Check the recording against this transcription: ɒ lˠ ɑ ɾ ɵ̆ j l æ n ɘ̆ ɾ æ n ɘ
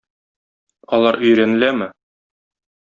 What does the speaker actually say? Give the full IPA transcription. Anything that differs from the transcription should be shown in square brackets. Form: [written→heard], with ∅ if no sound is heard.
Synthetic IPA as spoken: ɒ lˠ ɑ ɾ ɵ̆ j [l→ɾ] æ n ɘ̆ [ɾ→l] æ [n→m] ɘ